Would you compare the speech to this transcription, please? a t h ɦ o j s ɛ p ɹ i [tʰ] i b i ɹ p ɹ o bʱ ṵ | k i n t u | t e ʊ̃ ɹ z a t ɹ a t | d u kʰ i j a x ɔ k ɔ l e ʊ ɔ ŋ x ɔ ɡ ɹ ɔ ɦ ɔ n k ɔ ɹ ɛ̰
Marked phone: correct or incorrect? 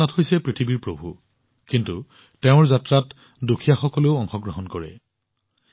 correct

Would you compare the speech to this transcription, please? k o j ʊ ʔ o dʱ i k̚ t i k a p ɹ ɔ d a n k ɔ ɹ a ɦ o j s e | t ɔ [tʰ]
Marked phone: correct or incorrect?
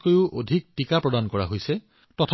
correct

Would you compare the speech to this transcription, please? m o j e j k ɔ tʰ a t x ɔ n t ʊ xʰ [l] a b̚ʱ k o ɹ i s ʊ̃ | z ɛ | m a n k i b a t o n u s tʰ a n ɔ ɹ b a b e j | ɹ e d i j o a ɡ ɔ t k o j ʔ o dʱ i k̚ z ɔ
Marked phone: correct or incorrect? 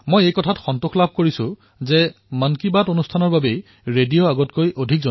correct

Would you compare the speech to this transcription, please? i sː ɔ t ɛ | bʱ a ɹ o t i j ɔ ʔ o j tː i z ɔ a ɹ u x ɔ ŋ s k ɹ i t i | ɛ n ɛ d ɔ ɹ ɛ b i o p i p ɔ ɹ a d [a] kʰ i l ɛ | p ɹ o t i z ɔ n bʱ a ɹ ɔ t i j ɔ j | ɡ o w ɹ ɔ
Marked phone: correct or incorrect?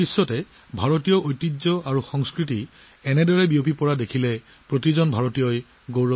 incorrect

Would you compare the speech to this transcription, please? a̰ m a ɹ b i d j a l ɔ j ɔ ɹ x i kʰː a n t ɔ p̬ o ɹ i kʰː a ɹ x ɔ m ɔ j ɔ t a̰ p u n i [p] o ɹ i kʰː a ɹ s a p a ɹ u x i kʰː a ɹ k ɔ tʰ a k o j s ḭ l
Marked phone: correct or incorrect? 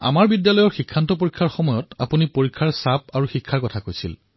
correct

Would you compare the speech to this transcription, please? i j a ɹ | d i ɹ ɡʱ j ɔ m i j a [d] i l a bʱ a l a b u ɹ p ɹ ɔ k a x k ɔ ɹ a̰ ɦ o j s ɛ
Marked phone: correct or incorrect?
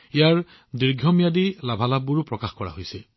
correct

